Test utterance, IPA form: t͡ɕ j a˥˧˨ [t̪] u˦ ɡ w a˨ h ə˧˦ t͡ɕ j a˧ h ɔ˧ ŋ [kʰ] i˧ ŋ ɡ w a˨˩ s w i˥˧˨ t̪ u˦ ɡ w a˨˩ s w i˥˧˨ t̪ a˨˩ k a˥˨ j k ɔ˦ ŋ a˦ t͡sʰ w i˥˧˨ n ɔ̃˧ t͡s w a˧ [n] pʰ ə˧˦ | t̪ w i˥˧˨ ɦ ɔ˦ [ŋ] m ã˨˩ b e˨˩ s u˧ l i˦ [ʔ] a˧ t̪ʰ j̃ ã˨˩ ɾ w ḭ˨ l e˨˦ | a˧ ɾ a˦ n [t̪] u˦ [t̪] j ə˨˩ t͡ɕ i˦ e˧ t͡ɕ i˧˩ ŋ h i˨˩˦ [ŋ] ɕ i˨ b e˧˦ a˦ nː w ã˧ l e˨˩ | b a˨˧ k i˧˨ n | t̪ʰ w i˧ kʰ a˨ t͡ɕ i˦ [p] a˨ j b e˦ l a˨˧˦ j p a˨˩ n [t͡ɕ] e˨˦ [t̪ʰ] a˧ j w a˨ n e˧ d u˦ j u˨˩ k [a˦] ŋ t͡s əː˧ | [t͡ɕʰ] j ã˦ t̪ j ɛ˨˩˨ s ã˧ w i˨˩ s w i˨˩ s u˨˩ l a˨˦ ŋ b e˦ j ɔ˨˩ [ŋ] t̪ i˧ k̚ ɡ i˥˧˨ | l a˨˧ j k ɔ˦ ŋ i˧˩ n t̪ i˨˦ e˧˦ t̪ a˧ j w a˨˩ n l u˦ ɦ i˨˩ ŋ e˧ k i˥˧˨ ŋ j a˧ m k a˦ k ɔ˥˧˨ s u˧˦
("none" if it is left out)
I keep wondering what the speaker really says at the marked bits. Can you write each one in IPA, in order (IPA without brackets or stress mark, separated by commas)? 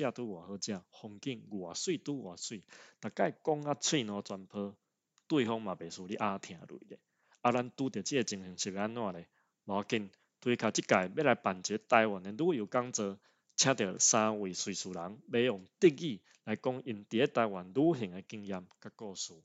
t̪, k, n, ŋ, ʔ, t̪, t̪, ŋ, k, t͡ɕ, t̪, a˦, t͡ɕʰ, ŋ